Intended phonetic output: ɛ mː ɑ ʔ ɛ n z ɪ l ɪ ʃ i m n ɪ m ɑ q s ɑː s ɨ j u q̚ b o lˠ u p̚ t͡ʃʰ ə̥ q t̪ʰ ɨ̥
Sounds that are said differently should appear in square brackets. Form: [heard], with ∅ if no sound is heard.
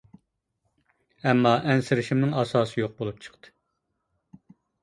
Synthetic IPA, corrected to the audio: ɛ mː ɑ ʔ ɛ n [s] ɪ [ɾ] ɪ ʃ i m n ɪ [ŋ] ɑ [∅] s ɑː s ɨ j [o] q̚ b o lˠ u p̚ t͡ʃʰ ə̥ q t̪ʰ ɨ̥